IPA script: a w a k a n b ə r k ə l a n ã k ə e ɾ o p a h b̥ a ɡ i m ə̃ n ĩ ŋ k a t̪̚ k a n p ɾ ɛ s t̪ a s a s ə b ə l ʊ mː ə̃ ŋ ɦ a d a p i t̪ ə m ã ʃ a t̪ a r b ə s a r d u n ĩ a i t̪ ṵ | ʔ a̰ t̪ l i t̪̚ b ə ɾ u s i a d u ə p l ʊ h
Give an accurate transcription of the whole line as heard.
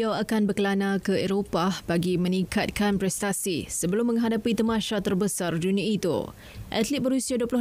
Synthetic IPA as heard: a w a k a n b ə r k ə l a n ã k ə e ɾ o p a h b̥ a ɡ i m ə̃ n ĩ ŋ k a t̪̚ k a n p ɾ ɛ s t̪ a s i s ə b ə l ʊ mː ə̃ ŋ ɦ a d a p i t̪ ə m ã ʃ a t̪ ə r b ə s a r d u n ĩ a i t̪ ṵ | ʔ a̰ t̪ l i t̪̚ b ə ɾ u s i a d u ə p l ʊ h